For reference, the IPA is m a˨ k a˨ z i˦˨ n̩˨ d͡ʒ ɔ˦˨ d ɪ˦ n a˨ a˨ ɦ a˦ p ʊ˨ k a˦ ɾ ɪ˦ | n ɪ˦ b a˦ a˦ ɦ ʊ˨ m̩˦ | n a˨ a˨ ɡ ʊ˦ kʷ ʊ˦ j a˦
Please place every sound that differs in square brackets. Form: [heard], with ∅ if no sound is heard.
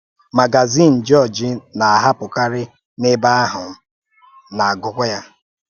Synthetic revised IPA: m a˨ [ɡ] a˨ z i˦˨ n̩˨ d͡ʒ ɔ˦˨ [d͡ʒ] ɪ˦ n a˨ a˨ ɦ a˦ p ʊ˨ k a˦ ɾ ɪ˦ | n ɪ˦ b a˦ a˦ ɦ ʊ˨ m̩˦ | n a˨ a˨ ɡ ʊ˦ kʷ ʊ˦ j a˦